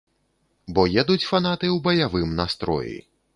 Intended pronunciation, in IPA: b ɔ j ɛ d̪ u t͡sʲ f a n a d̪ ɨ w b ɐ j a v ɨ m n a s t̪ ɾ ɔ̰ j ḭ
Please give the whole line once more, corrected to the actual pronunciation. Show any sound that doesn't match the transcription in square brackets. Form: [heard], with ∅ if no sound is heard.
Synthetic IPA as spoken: b ɔ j ɛ d̪ u t͡sʲ f a n a [t̪] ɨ w b ɐ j a v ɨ m n a s t̪ ɾ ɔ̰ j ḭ